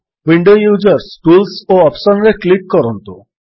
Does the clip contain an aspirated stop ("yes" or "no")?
no